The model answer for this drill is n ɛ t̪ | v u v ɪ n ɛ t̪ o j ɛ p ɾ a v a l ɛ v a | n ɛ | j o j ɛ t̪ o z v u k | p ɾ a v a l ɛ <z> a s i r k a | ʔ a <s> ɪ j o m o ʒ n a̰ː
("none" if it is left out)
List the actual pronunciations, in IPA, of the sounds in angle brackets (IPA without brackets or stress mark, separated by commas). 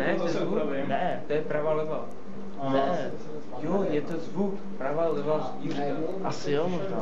v, s